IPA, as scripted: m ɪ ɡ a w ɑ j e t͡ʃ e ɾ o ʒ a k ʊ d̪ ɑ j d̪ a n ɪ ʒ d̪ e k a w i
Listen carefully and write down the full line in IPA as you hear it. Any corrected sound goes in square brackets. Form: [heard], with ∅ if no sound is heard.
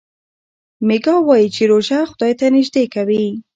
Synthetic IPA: m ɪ ɡ [ɑ] w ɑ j [i] t͡ʃ e ɾ o ʒ a [x] ʊ d̪ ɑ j [t̪] a n ɪ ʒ d̪ e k a w i